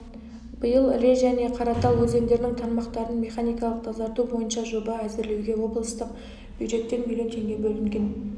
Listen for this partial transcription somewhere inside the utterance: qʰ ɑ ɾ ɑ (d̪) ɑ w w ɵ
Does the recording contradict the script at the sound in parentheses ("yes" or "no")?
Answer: yes